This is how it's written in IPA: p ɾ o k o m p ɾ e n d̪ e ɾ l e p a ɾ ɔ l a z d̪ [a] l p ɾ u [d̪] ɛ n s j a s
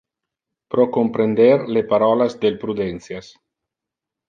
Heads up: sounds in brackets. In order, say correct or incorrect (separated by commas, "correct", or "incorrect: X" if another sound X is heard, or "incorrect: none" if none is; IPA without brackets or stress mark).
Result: incorrect: e, correct